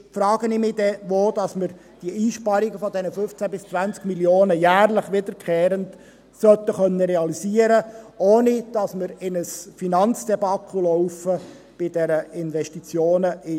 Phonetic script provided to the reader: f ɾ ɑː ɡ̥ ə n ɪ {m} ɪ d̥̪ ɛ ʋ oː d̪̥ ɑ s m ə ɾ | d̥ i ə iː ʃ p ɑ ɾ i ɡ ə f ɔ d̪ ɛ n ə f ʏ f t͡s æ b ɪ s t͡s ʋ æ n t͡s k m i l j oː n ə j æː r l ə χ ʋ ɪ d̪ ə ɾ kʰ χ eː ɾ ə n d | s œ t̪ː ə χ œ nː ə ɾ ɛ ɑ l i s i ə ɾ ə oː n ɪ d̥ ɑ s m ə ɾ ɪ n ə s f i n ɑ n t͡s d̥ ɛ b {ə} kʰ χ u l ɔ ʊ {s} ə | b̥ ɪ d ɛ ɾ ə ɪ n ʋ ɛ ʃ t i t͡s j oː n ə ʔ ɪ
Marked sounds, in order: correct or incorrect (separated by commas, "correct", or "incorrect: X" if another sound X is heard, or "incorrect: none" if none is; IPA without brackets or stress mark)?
correct, incorrect: ɑ, incorrect: f